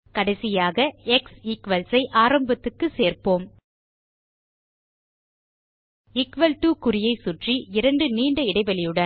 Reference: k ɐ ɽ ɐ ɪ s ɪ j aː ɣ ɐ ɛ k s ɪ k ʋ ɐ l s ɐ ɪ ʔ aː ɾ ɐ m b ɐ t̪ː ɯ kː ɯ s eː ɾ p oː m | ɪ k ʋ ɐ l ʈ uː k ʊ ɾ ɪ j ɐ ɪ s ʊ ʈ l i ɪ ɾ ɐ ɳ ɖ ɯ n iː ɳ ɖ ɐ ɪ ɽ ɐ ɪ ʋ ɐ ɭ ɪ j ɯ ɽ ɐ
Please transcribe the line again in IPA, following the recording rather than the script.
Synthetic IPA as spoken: k ɐ ɽ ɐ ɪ s ɪ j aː ɣ ɐ ɛ k s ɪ k ʋ ɐ l s ɐ ɪ ʔ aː ɾ ɐ m b ɐ t̪ː ɯ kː ɯ s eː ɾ p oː m | ɪ k ʋ ɐ l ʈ uː k ʊ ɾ ɪ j ɐ ɪ s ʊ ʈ r i ɪ ɾ ɐ ɳ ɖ ɯ n iː ɳ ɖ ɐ ɪ ɽ ɐ ɪ ʋ ɐ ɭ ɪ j ɯ ɽ ɐ